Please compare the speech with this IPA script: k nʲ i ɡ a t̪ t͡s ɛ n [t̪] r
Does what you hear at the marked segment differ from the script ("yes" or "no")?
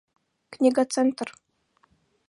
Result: no